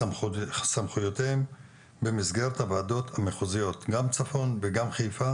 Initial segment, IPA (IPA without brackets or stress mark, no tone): s